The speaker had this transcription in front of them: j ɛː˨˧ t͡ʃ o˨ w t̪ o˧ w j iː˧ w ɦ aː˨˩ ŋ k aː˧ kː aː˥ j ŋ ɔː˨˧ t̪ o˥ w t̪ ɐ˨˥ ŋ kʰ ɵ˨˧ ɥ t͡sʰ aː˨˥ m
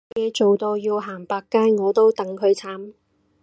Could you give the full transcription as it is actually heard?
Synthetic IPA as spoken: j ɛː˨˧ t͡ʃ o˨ w t̪ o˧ w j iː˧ w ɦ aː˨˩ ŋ p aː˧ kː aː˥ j ŋ ɔː˨˧ t̪ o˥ w t̪ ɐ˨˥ ŋ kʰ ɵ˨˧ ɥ t͡sʰ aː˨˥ m